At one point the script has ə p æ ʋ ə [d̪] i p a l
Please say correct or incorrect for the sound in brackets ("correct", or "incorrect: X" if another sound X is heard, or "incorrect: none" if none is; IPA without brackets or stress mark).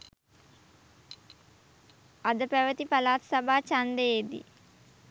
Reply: incorrect: t̪